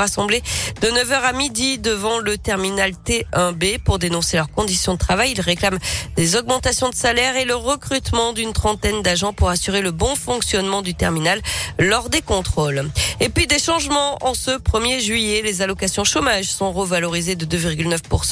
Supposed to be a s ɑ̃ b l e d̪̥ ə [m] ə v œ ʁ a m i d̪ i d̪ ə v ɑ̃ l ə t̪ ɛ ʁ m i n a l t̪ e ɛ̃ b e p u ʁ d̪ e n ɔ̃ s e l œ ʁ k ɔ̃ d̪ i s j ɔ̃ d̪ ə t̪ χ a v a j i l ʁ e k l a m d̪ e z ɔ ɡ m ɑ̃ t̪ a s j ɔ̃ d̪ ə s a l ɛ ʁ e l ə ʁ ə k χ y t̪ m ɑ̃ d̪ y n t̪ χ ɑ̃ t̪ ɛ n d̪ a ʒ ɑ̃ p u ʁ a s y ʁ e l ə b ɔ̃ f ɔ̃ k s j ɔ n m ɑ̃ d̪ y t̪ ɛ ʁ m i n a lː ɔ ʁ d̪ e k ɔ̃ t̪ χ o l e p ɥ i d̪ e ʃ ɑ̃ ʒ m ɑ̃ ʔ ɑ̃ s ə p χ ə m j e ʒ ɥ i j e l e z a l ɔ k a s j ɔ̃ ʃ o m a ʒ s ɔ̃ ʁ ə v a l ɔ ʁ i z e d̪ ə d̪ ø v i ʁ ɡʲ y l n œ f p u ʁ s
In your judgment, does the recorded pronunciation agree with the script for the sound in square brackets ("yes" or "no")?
no